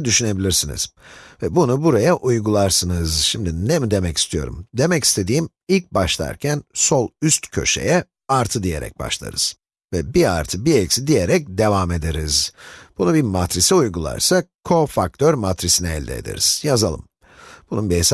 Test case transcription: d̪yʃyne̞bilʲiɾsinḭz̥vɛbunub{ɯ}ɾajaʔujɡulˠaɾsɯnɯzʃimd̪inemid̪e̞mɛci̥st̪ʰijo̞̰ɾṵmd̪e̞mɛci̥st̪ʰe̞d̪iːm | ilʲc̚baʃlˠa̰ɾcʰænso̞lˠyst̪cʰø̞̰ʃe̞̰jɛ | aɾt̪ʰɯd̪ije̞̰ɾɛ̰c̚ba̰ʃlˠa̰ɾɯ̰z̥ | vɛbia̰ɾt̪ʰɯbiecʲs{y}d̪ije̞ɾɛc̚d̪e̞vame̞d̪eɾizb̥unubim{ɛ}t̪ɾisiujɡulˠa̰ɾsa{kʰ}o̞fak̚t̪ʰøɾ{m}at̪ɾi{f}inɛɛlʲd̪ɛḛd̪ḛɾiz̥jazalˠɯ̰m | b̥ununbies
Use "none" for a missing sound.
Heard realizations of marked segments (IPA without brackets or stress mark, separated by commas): u, i, a, kʰ, m, s